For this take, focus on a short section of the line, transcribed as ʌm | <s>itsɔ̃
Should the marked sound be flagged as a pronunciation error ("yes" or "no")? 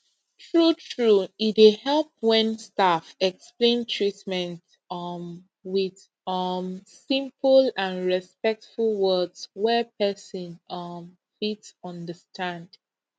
yes